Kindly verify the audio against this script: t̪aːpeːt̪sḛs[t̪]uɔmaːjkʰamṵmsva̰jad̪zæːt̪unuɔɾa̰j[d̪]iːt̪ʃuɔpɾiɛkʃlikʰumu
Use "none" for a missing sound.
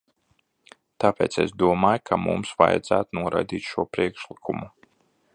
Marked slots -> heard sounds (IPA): d̪, d̪

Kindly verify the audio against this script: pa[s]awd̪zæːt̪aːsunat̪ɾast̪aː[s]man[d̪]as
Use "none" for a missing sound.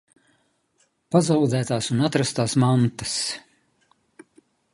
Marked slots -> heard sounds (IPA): z, s, t̪

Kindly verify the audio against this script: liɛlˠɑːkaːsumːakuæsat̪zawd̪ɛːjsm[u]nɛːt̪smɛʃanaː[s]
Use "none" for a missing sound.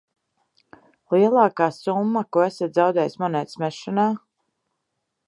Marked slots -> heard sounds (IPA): ɔ, none

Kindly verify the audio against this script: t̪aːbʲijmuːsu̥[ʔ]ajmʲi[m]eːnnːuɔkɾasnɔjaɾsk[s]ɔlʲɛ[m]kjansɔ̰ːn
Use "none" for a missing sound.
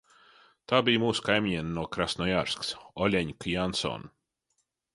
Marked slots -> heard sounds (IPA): k, ɲ, s, ɲ

